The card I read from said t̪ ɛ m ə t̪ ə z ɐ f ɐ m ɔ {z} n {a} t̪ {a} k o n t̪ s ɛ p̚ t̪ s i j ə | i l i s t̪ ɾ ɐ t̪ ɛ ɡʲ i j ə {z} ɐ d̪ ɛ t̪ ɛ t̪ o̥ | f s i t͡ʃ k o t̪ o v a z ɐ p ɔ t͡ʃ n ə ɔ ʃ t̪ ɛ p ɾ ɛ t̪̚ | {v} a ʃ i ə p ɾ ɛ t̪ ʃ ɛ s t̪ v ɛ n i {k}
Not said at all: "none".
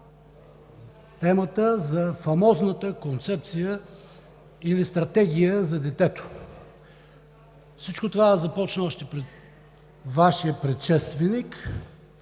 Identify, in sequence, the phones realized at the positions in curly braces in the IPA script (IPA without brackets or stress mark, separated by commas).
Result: z, ə, ə, z, v, k